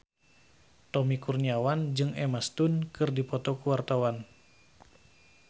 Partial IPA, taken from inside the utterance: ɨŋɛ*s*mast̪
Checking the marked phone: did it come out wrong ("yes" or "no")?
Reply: yes